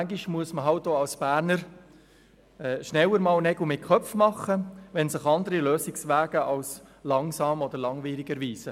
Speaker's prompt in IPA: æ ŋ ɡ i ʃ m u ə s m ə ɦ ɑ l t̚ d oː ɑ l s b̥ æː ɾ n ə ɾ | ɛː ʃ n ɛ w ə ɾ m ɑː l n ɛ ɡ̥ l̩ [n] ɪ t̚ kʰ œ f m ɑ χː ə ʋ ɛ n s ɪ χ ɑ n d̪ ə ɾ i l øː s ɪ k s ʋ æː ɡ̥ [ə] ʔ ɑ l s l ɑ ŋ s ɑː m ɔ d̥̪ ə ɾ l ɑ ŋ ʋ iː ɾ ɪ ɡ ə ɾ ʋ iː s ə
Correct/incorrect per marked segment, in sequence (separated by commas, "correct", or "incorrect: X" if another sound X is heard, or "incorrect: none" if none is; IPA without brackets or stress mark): incorrect: m, correct